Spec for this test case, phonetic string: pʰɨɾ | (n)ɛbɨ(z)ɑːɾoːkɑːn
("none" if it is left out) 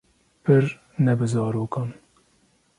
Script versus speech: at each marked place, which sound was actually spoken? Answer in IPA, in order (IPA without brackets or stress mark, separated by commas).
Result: n, z